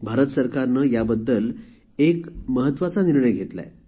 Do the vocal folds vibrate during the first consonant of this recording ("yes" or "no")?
yes